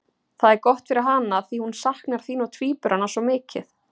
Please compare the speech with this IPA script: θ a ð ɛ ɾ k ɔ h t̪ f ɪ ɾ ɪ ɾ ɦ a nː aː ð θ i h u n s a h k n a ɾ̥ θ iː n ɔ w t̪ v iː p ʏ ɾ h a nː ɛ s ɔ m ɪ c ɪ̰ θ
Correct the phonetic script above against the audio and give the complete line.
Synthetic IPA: θ a ð ɛ ɾ k ɔ h t̪ f ɪ ɾ ɪ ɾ ɦ a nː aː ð θ i h u n s a h k n a ɾ̥ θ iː n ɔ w t̪ʰ v iː p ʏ ɾ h a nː a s ɔ m ɪː c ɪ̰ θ